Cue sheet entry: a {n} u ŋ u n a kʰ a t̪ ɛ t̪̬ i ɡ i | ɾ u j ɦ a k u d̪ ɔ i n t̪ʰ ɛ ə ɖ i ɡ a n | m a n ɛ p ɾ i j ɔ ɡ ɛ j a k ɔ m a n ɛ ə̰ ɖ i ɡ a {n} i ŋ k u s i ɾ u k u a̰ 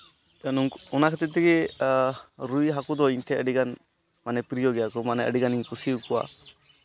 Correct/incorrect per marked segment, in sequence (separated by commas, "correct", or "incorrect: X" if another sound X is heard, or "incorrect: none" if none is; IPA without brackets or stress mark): correct, correct